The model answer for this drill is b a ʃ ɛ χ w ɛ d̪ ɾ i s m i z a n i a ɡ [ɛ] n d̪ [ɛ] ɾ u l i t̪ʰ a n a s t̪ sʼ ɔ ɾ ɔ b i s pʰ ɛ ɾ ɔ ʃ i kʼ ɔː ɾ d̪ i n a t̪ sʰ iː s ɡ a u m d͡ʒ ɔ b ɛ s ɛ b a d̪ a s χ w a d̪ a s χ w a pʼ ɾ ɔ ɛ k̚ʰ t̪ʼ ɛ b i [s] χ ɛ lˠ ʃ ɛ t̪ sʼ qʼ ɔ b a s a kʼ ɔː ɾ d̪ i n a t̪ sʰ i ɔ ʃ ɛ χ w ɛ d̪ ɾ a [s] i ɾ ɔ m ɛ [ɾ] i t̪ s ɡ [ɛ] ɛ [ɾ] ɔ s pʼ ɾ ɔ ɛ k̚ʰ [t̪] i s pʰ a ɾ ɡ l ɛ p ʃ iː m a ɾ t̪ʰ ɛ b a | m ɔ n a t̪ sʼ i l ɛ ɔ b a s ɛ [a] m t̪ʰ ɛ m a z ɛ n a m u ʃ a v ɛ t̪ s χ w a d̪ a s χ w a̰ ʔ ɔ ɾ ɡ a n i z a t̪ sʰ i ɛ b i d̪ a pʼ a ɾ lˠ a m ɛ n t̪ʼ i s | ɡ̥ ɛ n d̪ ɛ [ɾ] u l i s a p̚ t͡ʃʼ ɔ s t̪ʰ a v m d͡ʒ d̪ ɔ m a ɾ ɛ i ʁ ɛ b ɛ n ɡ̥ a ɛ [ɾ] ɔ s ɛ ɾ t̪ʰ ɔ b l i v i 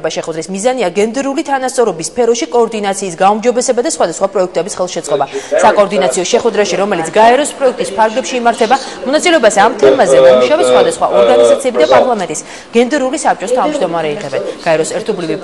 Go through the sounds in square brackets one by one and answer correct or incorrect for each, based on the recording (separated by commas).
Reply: correct, correct, correct, incorrect, incorrect, incorrect, correct, incorrect, correct, correct, correct